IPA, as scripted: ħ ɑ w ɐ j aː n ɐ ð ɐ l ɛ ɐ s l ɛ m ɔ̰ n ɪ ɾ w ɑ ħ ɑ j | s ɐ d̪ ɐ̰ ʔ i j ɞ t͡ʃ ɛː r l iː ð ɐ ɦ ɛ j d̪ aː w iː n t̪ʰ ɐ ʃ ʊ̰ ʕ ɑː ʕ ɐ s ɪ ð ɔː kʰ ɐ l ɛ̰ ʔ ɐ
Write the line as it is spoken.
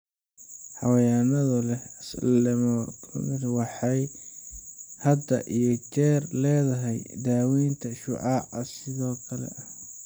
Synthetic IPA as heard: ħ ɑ w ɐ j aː n ɐ ð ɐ l ɛ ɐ s l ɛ m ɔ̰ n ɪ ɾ w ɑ ħ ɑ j | h ɐ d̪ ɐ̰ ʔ i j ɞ t͡ʃ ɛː r l ɛː ð ɐ ɦ ɛ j d̪ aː w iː n t̪ʰ ɐ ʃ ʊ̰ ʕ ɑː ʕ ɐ s ɪ ð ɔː kʰ ɐ l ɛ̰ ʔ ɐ